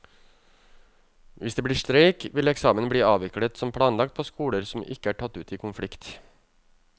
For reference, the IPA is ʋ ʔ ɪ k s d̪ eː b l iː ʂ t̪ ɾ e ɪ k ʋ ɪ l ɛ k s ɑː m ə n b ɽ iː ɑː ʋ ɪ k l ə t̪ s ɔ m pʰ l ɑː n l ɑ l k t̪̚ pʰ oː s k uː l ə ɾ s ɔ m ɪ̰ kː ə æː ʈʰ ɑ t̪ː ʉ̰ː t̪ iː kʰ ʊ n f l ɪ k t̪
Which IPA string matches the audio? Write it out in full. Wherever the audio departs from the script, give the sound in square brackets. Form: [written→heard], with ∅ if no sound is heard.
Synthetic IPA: ʋ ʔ ɪ [k→∅] s d̪ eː b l iː ʂ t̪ ɾ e ɪ k ʋ ɪ l ɛ k s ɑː m ə n b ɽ iː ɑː ʋ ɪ k l ə t̪ s ɔ m pʰ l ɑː n l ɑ [l→∅] k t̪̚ pʰ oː s k uː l ə ɾ s ɔ m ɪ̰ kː ə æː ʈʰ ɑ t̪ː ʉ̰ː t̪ iː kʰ ʊ n f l ɪ k t̪